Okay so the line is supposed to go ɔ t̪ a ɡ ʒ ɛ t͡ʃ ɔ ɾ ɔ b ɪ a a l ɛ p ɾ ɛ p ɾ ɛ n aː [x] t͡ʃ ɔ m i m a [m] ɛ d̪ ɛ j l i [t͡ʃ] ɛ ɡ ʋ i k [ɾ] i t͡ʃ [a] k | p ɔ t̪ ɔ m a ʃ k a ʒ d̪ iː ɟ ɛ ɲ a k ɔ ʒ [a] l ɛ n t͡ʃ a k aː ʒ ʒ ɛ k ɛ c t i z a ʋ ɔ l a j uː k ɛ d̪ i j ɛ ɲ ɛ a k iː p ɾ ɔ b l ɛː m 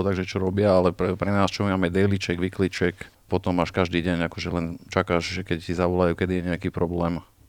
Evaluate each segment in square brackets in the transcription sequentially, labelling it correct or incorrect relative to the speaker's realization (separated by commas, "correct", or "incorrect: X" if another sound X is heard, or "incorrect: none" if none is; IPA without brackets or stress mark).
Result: incorrect: s, correct, correct, incorrect: l, incorrect: ɛ, incorrect: ɛ